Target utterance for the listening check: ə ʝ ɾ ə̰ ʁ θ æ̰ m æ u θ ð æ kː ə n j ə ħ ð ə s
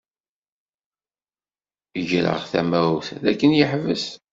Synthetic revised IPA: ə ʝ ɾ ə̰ ʁ θ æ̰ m æ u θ ð æ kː ə n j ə ħ v ə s